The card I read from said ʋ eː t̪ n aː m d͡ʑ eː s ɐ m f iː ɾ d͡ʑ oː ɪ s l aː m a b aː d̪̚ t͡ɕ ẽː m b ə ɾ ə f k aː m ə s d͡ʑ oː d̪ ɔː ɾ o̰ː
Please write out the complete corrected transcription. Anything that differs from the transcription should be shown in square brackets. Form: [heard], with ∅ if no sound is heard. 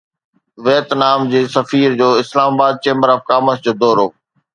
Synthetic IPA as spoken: ʋ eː t̪ n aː m d͡ʑ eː s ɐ [∅] f iː ɾ d͡ʑ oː ɪ s l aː m a b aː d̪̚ t͡ɕ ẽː m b ə ɾ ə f k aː m ə s d͡ʑ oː d̪ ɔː ɾ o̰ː